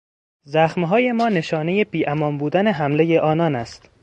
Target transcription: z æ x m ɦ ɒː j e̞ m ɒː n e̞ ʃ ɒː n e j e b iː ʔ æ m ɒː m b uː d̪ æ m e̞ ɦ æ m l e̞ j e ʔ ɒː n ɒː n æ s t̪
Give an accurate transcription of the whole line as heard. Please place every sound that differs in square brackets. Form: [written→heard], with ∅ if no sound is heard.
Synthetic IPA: z æ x m ɦ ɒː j e̞ m ɒː n e̞ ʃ ɒː n e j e b iː ʔ æ m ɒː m b uː d̪ æ [m→n] e̞ ɦ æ m l e̞ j e ʔ ɒː n ɒː n æ s t̪